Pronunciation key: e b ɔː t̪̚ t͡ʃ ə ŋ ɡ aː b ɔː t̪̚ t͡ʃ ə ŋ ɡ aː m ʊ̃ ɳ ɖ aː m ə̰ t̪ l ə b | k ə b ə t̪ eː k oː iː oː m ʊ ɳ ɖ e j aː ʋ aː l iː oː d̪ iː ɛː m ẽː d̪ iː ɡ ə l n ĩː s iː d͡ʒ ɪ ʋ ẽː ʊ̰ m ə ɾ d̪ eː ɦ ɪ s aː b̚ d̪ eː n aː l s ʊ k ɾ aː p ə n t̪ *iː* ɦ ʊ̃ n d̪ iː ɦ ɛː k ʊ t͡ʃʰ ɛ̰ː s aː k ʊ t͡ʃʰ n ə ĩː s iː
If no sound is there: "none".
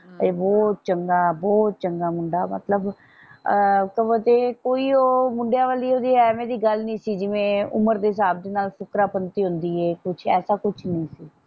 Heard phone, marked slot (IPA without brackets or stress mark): iː